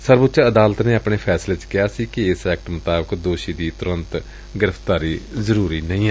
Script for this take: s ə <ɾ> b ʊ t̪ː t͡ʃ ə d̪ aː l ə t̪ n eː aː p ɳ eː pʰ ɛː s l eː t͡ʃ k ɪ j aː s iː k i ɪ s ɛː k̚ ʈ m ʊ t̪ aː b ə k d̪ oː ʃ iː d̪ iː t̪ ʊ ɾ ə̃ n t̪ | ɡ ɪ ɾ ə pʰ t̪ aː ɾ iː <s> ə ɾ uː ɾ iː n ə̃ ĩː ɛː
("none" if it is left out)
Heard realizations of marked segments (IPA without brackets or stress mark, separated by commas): ɾ, z